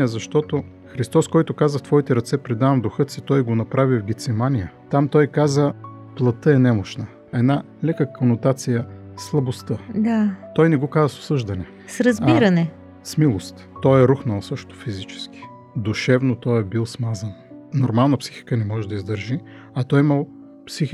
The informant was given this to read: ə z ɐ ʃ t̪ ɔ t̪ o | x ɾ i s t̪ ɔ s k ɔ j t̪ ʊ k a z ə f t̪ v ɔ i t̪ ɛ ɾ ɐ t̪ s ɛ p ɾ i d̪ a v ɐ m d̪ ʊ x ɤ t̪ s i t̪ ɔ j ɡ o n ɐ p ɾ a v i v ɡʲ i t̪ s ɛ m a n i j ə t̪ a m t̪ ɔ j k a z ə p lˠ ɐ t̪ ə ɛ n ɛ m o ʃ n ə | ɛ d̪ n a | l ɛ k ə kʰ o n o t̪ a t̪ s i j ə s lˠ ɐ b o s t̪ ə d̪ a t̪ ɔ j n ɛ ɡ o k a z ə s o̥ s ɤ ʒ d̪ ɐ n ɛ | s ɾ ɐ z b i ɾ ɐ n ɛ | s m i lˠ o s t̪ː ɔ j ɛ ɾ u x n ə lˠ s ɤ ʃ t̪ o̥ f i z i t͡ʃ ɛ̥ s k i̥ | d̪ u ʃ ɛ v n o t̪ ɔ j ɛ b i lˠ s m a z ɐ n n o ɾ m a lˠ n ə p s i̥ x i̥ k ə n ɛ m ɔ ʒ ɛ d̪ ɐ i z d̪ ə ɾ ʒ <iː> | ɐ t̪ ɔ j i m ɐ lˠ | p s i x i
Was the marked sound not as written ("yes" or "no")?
yes